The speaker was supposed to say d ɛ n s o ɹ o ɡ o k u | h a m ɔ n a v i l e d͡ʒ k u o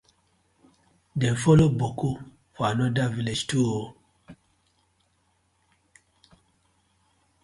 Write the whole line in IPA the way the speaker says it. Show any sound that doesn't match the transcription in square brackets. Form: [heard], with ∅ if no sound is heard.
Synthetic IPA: d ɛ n [f] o [l] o [b] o k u | [f] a [n] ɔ [d] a v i l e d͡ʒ [t] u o